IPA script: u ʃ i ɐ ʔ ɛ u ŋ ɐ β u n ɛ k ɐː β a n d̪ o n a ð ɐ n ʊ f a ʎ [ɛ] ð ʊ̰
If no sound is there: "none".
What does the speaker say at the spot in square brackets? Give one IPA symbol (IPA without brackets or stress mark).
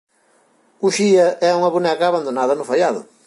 a